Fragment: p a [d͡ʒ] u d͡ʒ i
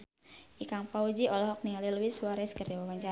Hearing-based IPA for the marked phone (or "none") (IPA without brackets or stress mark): none